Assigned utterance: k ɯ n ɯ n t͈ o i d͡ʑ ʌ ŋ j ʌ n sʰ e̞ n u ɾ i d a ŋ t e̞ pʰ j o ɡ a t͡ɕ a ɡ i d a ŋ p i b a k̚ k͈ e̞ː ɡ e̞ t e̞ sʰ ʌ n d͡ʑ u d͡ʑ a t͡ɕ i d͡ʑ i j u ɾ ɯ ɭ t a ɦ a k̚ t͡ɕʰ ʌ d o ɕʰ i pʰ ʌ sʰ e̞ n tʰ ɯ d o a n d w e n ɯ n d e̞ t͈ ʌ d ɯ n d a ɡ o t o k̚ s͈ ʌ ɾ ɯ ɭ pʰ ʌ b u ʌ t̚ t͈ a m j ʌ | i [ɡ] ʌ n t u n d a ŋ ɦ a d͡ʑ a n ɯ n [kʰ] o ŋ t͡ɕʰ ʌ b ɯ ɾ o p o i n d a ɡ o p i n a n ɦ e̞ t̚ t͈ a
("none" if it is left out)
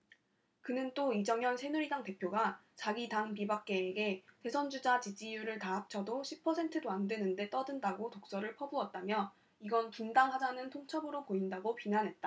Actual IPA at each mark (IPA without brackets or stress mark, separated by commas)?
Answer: ɡ, tʰ